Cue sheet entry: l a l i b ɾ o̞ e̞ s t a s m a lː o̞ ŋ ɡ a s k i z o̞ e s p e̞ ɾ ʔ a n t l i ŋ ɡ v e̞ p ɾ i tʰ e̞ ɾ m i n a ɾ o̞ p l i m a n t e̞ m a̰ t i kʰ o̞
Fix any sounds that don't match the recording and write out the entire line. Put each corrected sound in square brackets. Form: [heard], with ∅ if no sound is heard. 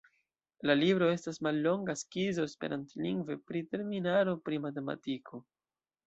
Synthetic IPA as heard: l a l i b ɾ o̞ e̞ s t a s m a lː o̞ ŋ ɡ a s k i z o̞ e s p e̞ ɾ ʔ a n t l i ŋ ɡ v e̞ p ɾ i [t] e̞ ɾ m i n a ɾ o̞ p [ɾ] i m a [∅] t e̞ m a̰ t i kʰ o̞